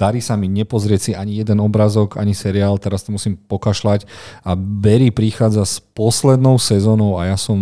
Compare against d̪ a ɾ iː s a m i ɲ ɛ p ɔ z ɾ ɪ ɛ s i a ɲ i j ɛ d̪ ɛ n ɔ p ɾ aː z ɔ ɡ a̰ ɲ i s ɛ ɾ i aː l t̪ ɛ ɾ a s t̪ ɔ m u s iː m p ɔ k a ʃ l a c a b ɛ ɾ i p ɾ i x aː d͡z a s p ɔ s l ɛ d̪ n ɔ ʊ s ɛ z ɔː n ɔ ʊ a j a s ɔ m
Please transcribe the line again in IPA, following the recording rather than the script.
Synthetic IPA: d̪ a ɾ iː s a m i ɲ ɛ p ɔ z ɾ ɪ ɛ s i a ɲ i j ɛ d̪ ɛ n ɔ b ɾ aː z ɔ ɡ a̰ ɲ i s ɛ ɾ i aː l t̪ ɛ ɾ a s t̪ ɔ m u s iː m p ɔ k a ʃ l a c a b ɛ ɾ i p ɾ i x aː d͡z a s p ɔ s l ɛ d̪ n ɔ ʊ s ɛ z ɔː n ɔ ʊ a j a s ɔ m